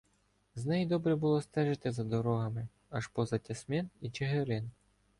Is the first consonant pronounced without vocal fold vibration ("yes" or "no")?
no